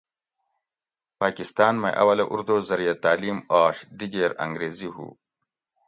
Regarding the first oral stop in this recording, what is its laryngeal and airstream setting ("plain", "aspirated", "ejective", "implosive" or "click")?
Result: plain